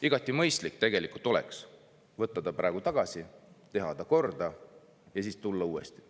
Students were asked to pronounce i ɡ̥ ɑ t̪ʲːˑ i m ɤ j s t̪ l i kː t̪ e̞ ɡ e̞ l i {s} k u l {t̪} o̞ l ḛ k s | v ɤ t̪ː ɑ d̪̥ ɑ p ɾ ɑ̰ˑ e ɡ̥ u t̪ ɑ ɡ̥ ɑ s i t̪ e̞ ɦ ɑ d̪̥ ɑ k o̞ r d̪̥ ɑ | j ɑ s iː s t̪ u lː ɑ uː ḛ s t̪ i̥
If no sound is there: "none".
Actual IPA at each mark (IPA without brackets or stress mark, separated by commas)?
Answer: none, t̪